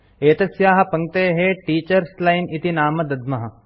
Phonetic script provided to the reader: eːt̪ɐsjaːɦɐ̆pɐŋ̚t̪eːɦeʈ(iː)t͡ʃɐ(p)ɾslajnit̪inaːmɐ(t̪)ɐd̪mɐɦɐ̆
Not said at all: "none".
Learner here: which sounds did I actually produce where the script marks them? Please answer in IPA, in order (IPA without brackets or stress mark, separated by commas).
iː, none, d̪